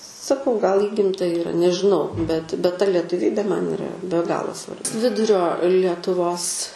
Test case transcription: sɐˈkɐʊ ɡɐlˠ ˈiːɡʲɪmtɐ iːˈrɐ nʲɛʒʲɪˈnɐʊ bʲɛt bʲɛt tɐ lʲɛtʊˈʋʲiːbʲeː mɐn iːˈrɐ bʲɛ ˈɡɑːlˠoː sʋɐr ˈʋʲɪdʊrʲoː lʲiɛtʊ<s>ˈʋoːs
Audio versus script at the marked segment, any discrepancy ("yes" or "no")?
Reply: yes